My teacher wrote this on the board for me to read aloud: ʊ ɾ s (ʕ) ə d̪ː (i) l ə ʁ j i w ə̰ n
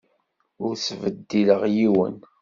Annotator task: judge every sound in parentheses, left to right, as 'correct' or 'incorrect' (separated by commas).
incorrect, correct